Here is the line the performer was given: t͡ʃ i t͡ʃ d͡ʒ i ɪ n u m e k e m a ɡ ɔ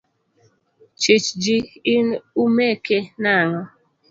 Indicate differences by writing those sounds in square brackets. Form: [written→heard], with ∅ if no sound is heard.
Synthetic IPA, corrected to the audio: t͡ʃ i t͡ʃ d͡ʒ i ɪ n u m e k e [m→n] a [ɡ→ŋ] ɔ